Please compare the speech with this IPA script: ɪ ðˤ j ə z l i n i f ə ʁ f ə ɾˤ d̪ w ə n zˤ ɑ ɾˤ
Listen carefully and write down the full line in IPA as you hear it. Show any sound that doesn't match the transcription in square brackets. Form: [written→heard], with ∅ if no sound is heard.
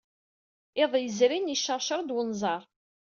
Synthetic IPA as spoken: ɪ ðˤ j ə z [l→ɾ] i n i [f→ʃ] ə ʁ [f→ʃ] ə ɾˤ d̪ w ə n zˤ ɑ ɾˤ

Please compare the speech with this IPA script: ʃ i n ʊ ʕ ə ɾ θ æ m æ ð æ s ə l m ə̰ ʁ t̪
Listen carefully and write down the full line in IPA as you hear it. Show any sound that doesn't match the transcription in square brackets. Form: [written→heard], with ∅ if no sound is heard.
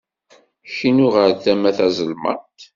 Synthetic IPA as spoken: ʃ i n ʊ [ʕ→ʁ] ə ɾ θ æ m æ [ð→θ] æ [s→z] ə l m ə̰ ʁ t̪

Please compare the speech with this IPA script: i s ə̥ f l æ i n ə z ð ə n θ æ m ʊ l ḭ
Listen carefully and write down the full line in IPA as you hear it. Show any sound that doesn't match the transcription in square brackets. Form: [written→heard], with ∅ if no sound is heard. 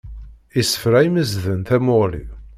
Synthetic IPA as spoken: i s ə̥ f [l→ɾ] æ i [n→m] ə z ð ə n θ æ m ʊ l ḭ

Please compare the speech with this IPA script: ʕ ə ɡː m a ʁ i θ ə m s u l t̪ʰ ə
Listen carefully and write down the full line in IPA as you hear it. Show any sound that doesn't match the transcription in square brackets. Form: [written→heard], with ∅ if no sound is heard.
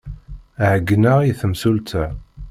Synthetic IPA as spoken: ʕ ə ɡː [m→n] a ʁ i θ ə m s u l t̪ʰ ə

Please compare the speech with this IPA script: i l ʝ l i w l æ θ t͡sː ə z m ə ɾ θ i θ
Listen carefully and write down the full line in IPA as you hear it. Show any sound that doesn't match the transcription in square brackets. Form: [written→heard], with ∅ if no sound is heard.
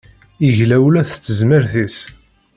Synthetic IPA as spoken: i [l→∅] ʝ l [i→æ] w l æ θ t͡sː ə z m ə ɾ θ i [θ→s]

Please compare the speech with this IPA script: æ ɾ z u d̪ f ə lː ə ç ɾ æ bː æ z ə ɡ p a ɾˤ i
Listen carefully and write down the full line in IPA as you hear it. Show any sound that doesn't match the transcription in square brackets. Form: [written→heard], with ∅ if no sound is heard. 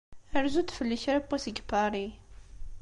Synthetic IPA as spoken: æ ɾ z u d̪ f ə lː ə ç ɾ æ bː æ [z→s] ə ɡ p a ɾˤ i

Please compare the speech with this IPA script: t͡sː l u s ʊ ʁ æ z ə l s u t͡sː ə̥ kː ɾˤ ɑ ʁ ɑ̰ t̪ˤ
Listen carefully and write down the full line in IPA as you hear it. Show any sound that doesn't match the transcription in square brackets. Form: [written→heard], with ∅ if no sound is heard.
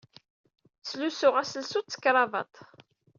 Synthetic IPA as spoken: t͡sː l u s ʊ ʁ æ [z→s] ə l s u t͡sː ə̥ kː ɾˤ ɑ [ʁ→v] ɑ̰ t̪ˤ

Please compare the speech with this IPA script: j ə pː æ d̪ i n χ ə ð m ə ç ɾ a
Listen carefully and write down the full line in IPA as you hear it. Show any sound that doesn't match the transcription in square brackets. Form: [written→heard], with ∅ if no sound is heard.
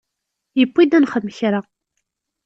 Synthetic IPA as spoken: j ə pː [æ→i] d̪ [i→æ] n χ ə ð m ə ç ɾ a

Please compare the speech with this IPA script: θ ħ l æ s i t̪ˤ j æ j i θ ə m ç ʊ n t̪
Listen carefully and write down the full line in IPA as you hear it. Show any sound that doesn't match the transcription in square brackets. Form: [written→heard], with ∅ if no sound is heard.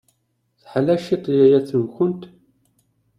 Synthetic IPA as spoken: θ ħ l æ [s→ʃ] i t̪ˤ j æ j [i→æ] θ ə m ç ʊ n t̪

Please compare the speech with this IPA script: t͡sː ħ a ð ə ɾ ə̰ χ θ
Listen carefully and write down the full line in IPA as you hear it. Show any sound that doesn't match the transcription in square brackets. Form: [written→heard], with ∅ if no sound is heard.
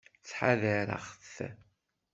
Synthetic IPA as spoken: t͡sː ħ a ð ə ɾ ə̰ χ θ

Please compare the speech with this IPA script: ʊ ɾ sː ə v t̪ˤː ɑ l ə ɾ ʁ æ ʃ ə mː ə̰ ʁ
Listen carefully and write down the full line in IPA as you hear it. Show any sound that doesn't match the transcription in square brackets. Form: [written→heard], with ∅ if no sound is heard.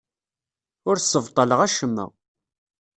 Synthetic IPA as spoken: ʊ ɾ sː ə v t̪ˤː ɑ l ə [ɾ→∅] ʁ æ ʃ ə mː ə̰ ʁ

